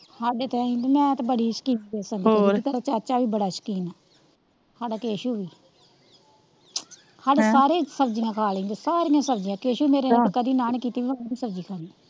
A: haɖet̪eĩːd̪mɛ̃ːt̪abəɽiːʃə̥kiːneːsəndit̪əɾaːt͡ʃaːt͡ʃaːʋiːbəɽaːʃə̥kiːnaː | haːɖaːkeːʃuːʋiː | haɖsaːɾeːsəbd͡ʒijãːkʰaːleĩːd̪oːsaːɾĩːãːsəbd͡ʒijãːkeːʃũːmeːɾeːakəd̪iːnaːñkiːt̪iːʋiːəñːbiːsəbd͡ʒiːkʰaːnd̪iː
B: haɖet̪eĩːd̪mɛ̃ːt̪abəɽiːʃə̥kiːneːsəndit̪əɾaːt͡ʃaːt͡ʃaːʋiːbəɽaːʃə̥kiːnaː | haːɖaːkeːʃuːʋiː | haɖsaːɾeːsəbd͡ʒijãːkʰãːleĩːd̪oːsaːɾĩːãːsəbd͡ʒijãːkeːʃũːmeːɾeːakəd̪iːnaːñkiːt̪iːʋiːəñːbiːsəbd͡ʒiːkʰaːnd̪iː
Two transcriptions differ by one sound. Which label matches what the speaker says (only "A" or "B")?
A